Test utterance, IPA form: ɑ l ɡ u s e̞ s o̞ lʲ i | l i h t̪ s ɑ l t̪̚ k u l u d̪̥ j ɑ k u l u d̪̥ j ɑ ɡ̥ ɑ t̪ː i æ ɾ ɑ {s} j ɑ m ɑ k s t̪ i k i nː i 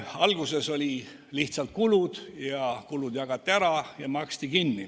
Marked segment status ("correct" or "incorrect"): incorrect